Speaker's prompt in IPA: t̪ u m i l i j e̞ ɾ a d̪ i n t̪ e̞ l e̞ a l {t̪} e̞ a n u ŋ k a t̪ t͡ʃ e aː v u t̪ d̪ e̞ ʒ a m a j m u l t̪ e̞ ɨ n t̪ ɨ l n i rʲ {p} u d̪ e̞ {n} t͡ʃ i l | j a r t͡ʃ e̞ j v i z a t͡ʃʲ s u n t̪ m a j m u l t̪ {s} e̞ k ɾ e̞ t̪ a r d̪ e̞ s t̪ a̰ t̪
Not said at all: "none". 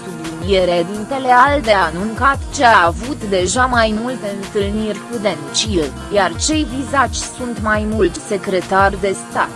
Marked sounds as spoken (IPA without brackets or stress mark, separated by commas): d̪, k, n, s